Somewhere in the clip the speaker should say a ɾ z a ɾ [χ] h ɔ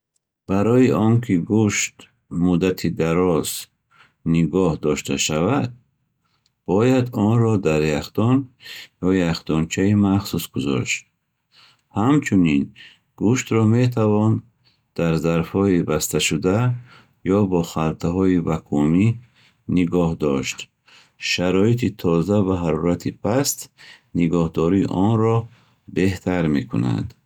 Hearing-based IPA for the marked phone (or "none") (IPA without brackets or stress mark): f